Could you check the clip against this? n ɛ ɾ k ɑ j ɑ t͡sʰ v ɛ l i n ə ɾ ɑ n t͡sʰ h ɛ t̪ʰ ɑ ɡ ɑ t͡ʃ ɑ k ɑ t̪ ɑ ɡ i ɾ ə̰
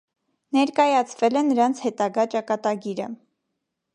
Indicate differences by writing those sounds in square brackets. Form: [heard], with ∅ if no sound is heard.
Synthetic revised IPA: n ɛ ɾ k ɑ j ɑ t͡sʰ v ɛ l [ɛ] n ə ɾ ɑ n t͡sʰ h ɛ [t̪] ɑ ɡ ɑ t͡ʃ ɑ k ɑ t̪ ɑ ɡ i ɾ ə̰